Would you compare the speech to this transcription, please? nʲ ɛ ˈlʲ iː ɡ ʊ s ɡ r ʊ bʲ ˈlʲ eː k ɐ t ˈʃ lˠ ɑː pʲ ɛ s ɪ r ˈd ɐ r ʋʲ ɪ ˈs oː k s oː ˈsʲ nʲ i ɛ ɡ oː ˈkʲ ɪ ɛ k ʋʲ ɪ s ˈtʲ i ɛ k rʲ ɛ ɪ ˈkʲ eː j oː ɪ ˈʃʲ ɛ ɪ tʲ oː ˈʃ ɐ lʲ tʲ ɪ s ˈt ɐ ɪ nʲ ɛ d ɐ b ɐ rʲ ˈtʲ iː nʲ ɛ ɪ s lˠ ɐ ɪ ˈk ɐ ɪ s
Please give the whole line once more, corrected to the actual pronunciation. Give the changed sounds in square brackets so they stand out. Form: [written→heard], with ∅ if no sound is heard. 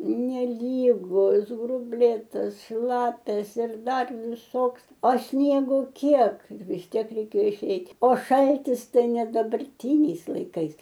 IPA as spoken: nʲ ɛ ˈlʲ iː ɡ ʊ s ɡ r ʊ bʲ ˈlʲ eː [k→t] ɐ [t→s] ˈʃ lˠ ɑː pʲ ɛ s ɪ r ˈd ɐ r ʋʲ ɪ ˈs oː k s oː ˈsʲ nʲ i ɛ ɡ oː ˈkʲ [ɪ→i] ɛ k ʋʲ ɪ s ˈtʲ i ɛ k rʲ ɛ ɪ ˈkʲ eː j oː ɪ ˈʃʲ ɛ ɪ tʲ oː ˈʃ ɐ lʲ tʲ ɪ s ˈt ɐ ɪ nʲ ɛ d ɐ b ɐ rʲ ˈtʲ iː nʲ ɛ ɪ s lˠ ɐ ɪ ˈk ɐ ɪ s